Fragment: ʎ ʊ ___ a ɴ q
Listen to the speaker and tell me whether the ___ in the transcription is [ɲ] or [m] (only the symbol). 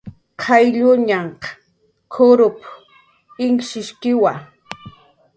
ɲ